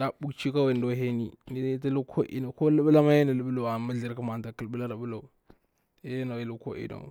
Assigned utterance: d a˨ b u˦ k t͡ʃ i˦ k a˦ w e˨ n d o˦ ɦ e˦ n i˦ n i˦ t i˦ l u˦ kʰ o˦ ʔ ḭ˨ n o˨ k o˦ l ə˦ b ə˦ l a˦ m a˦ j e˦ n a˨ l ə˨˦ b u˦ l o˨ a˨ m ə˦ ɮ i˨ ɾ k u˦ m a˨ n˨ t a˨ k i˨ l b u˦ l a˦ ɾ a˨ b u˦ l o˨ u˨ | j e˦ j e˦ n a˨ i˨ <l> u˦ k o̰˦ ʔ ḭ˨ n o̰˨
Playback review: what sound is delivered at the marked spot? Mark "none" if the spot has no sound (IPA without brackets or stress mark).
l